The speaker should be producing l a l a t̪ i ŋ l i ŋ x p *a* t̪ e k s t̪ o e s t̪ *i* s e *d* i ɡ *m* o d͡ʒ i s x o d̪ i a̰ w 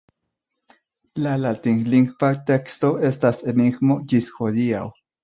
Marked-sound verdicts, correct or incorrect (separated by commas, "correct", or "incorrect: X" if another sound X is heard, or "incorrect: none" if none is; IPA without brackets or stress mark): correct, incorrect: a, incorrect: n, correct